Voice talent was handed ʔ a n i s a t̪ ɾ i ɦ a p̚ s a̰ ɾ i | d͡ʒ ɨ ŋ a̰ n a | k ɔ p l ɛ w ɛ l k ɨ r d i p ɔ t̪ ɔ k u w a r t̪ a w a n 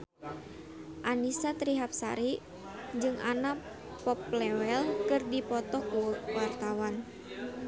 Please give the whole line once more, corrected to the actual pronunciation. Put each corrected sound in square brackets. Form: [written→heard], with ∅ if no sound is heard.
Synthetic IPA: ʔ a n i s a t̪ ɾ i ɦ a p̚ s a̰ ɾ i | d͡ʒ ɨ ŋ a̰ n a | [k→p] ɔ p l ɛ w ɛ l k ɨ r d i p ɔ t̪ ɔ k u w a r t̪ a w a n